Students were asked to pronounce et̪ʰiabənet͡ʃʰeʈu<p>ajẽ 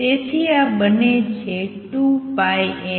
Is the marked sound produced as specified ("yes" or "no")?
yes